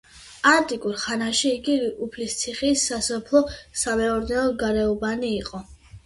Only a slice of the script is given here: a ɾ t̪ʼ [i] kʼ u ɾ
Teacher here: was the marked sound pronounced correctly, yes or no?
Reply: yes